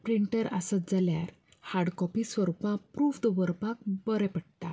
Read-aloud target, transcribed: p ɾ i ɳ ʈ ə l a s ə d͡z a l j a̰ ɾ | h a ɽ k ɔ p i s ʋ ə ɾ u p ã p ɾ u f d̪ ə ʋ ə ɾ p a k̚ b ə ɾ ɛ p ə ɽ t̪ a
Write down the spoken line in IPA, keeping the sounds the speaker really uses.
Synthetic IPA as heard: p ɾ i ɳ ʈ ə ɾ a s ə d͡z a l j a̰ ɾ | h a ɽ k ɔ p i s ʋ ə ɾ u p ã p ɾ u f d̪ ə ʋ ə ɾ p a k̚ b ə ɾ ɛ p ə ɽ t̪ a

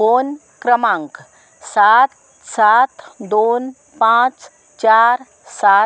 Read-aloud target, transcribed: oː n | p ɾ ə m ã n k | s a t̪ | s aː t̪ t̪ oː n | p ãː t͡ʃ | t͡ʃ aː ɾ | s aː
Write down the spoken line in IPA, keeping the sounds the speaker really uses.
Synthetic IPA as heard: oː n | k ɾ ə m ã ŋ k | s a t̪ | s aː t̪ d̪ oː n | p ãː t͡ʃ | t͡ʃ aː ɾ | s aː

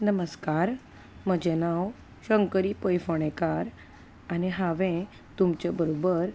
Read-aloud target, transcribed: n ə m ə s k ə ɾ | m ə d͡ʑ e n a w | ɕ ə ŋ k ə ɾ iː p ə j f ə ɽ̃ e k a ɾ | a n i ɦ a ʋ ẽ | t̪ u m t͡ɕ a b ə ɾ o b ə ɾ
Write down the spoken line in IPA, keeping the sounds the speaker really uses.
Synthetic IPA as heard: n ə m ə s k a ɾ | m ə d͡ʑ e n a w | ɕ ə ŋ k ə ɾ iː p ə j f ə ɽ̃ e k a ɾ | a n i ɦ a ʋ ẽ | t̪ u m t͡ɕ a b ə ɾ o b ə ɾ

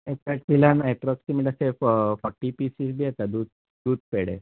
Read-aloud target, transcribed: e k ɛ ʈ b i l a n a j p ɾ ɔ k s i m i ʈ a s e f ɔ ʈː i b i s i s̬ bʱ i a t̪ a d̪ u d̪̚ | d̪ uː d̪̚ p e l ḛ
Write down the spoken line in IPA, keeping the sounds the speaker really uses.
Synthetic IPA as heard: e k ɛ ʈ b i l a n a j p ɾ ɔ k s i m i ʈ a s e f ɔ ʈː i p i s i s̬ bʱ i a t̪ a d̪ u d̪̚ | d̪ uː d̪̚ p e ɽ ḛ

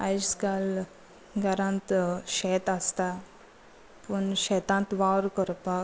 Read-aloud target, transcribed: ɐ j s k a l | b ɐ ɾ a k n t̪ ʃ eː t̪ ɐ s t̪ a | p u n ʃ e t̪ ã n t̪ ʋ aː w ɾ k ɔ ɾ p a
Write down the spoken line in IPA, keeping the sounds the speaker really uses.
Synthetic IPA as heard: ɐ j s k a l | ɡ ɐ ɾ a n t̪ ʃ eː t̪ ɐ s t̪ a | p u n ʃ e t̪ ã n t̪ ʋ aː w ɾ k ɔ ɾ p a

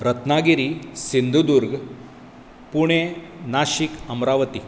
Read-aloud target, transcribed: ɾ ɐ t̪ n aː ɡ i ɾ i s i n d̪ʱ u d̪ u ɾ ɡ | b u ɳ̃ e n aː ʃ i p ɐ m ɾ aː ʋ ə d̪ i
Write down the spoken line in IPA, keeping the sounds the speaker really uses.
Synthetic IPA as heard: ɾ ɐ t̪ n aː ɡ i ɾ i s i n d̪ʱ u d̪ u ɾ ɡ | p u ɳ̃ e n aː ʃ i k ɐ m ɾ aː ʋ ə t̪ i

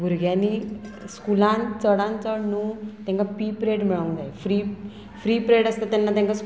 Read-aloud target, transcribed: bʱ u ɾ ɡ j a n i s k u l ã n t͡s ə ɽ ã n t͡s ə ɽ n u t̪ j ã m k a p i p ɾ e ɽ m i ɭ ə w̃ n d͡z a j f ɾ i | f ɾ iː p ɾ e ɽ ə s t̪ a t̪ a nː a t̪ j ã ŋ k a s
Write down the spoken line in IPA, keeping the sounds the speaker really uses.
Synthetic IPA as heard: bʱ u ɾ ɡ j a n i s k u l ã n t͡s ə ɽ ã n t͡s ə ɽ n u t̪ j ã ŋ k a p i p ɾ e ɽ m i ɭ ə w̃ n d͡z a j f ɾ i | f ɾ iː p ɾ e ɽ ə s t̪ a t̪ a nː a t̪ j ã ŋ k a s

